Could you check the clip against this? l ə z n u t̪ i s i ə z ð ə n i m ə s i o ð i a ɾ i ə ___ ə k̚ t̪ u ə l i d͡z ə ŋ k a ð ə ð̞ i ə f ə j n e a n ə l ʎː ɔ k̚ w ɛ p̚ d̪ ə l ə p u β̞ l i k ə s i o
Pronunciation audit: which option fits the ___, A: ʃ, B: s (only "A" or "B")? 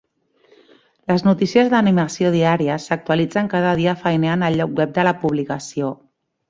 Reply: B